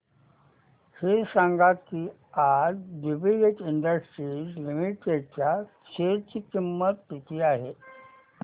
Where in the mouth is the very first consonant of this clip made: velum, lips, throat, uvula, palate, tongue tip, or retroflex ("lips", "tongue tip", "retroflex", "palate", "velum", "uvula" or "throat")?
throat